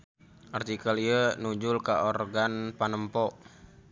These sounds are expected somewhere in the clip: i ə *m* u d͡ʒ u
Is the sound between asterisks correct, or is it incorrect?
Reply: incorrect